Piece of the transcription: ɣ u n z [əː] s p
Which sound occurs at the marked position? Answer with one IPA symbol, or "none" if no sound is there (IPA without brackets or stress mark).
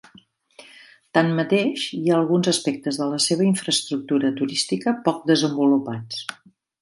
ə